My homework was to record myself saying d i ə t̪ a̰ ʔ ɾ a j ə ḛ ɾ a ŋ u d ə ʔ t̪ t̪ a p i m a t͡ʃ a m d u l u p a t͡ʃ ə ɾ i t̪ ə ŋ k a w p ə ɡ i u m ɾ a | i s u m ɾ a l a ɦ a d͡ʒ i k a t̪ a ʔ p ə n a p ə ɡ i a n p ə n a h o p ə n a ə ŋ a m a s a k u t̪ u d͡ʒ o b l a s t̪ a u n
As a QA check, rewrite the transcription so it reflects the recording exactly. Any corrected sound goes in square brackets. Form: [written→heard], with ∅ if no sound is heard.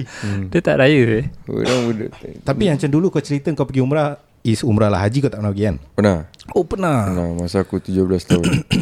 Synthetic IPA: d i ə t̪ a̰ ʔ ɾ a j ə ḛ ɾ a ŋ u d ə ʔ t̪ t̪ a p i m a t͡ʃ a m d u l u [p→k] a t͡ʃ ə ɾ i t̪ ə ŋ k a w p ə ɡ i u m ɾ a | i s u m ɾ a l a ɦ a d͡ʒ i k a t̪ a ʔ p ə n a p ə ɡ i a n p ə n a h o p ə n a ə [ŋ→n] a m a s a k u t̪ u d͡ʒ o b l a s t̪ a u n